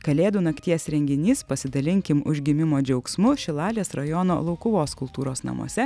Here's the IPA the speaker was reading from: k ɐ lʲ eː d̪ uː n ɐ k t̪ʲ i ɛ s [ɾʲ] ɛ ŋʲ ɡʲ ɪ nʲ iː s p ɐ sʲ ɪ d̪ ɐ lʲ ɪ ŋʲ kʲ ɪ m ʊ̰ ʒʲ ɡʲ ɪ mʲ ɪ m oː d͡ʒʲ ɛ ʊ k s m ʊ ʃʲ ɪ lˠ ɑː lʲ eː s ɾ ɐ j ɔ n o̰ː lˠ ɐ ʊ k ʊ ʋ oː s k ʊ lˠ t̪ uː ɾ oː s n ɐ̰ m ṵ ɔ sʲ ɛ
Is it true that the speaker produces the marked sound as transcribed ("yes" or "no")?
yes